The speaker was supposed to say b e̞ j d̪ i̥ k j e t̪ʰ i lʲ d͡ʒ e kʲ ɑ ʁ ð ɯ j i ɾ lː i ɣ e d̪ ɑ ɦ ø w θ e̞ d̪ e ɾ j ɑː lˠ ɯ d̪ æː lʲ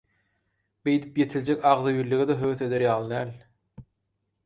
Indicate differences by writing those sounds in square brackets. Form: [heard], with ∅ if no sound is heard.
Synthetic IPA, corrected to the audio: b e̞ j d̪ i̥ [p] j e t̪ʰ i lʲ d͡ʒ e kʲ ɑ ʁ ð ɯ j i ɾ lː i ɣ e d̪ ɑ ɦ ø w θ e̞ d̪ e ɾ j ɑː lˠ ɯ d̪ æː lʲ